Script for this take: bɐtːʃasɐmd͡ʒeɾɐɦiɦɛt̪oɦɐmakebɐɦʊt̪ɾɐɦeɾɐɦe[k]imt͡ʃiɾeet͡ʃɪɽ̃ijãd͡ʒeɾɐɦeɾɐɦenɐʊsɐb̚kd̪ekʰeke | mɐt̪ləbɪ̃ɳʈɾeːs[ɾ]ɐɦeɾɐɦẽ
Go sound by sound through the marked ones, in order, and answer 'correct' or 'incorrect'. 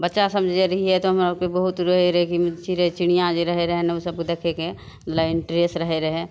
correct, correct

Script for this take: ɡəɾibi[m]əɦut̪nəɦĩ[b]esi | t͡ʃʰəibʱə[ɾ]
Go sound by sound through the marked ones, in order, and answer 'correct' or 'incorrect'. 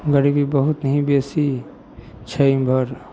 incorrect, correct, correct

